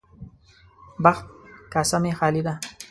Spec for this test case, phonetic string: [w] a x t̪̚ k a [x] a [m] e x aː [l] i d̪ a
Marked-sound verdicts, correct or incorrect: incorrect, incorrect, correct, correct

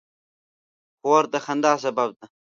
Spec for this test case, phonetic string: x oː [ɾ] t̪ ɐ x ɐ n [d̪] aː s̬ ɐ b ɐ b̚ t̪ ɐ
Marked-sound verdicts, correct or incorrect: correct, correct

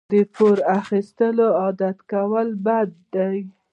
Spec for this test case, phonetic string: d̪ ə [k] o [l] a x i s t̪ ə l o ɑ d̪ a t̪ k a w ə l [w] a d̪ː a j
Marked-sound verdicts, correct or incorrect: incorrect, incorrect, incorrect

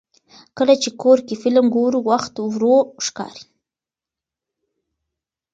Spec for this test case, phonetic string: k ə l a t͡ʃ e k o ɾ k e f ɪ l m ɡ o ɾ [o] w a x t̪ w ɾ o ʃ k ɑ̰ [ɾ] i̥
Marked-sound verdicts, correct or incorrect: incorrect, correct

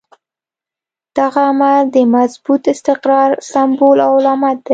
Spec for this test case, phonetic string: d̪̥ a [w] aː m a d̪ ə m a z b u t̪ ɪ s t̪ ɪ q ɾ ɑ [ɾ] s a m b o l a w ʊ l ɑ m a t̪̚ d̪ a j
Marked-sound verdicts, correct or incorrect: incorrect, correct

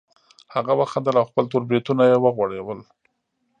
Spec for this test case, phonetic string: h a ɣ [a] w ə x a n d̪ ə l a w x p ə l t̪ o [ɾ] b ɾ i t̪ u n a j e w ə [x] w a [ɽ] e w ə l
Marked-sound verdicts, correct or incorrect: correct, correct, incorrect, correct

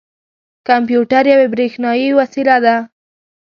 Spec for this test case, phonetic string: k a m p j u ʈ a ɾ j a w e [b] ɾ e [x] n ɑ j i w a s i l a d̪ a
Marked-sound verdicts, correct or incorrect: correct, correct

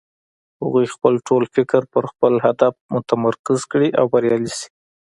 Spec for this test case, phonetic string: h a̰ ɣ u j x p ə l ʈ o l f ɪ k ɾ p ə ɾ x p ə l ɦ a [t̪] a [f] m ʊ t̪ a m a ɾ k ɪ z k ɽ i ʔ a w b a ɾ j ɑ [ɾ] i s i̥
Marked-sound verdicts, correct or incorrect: incorrect, correct, incorrect

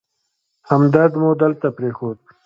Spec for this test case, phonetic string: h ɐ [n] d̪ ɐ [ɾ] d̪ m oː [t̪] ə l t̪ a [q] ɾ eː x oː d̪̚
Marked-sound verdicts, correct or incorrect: incorrect, correct, incorrect, incorrect

